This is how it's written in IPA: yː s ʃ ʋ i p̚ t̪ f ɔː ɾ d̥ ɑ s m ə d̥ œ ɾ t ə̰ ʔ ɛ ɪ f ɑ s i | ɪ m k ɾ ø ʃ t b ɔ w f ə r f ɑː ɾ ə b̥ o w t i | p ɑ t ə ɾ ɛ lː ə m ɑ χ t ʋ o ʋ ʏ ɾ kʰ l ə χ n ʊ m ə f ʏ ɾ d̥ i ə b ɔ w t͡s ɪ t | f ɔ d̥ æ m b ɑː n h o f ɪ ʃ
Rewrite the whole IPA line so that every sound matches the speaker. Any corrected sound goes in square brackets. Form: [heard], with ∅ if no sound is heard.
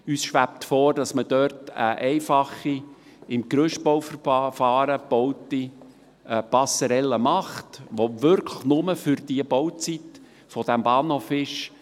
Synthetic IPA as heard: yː s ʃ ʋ [æ] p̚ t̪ f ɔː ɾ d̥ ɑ s m ə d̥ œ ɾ t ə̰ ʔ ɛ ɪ f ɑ [χ] i | ɪ m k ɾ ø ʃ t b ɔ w f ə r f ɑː ɾ ə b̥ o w t i | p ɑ [s] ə ɾ ɛ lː ə m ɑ χ t ʋ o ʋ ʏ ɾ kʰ l ə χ n ʊ m ə f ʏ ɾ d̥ i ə b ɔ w t͡s [i] t | f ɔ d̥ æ m b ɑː n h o f ɪ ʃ